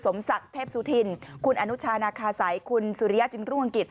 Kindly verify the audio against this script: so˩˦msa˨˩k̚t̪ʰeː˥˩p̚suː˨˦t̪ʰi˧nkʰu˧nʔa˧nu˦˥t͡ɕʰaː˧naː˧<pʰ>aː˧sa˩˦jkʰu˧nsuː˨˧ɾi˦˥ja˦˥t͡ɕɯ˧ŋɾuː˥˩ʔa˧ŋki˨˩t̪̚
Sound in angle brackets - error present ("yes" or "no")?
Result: yes